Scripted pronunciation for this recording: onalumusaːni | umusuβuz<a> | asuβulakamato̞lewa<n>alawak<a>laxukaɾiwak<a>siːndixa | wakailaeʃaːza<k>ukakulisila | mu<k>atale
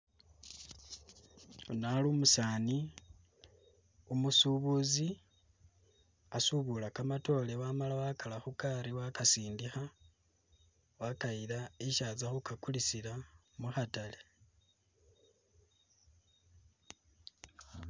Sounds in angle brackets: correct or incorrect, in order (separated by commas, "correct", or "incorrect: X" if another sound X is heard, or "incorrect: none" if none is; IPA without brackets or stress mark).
incorrect: i, incorrect: m, correct, correct, incorrect: x, incorrect: x